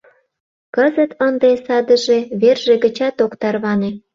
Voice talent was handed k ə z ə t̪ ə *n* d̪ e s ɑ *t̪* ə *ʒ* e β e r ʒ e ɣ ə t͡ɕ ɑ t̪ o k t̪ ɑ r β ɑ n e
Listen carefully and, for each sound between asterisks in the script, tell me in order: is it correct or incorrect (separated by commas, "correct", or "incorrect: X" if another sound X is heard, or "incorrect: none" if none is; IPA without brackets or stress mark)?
correct, incorrect: d̪, correct